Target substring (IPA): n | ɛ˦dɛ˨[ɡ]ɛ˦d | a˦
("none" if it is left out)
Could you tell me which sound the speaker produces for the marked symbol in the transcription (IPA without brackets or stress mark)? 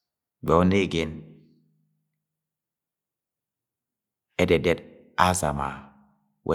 d